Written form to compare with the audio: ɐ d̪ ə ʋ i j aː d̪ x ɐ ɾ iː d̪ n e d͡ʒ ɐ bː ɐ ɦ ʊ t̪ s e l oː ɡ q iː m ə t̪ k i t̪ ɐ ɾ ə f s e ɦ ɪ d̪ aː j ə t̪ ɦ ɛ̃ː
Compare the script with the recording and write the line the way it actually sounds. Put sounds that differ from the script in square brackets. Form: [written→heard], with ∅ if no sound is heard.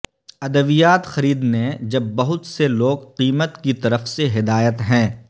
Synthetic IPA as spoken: ɐ d̪ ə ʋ i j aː [d̪→t̪] x ɐ ɾ iː d̪ n e d͡ʒ ɐ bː ɐ ɦ ʊ t̪ s e l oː ɡ q iː m ə t̪ k i t̪ ɐ ɾ ə f s e ɦ ɪ d̪ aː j ə t̪ ɦ ɛ̃ː